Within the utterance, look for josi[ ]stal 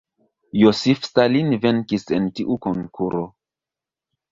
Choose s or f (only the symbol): f